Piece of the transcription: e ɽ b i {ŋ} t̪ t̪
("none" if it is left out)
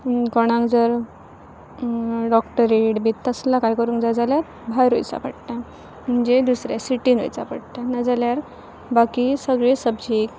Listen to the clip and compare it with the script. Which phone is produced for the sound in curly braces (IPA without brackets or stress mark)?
none